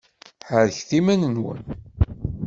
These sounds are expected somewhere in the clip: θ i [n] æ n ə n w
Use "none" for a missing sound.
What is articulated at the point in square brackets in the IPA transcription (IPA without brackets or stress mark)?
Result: m